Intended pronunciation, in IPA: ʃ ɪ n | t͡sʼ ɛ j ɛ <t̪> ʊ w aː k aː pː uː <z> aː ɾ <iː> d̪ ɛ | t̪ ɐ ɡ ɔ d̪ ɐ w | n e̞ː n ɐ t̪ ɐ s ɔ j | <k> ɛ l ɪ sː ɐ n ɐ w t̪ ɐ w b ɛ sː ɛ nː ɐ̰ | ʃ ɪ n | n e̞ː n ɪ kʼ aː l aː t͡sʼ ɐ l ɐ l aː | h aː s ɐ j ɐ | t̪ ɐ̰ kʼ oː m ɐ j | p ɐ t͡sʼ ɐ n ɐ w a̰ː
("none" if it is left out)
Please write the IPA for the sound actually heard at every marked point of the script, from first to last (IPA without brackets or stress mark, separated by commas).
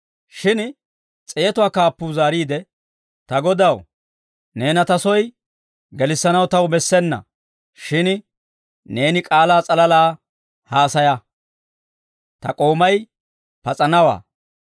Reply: t̪, z, iː, ɡ